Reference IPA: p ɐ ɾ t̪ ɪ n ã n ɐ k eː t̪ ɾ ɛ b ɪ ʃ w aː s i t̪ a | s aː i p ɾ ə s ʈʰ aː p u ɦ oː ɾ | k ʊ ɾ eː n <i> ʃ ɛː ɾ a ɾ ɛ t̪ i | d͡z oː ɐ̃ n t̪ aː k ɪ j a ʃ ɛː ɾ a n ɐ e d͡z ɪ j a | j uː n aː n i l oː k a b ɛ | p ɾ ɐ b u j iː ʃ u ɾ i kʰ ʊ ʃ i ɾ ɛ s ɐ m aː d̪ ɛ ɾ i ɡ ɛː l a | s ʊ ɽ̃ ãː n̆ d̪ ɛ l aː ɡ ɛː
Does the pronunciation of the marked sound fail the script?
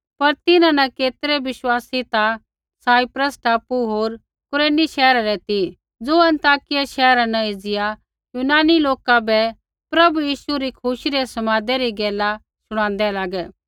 no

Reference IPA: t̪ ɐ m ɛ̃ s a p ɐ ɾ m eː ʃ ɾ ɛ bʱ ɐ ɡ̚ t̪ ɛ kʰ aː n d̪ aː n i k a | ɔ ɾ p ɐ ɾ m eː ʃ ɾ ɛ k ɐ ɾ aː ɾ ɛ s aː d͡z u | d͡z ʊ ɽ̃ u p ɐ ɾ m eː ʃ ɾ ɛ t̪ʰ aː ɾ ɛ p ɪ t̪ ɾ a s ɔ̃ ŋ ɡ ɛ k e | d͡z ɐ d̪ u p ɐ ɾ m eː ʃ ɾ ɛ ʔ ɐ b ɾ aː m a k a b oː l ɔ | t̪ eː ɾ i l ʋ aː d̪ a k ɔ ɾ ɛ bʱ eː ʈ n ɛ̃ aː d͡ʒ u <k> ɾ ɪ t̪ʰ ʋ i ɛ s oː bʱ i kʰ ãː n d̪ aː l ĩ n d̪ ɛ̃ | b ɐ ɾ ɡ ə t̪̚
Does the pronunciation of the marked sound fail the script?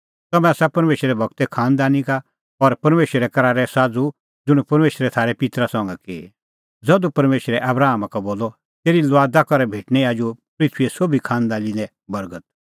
yes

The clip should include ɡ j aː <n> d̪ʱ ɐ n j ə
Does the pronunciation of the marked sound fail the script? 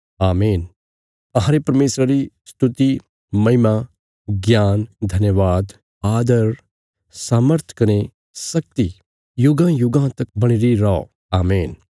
no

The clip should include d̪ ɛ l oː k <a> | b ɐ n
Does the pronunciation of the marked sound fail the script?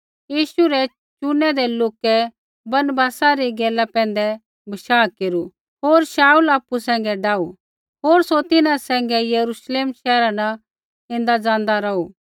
yes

